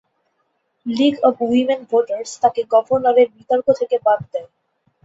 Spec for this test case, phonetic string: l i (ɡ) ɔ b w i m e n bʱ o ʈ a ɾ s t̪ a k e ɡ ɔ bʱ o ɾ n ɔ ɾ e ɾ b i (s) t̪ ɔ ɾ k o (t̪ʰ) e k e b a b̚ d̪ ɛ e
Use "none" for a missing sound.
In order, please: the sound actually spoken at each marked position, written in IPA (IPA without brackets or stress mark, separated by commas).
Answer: ɡ, none, t̪ʰ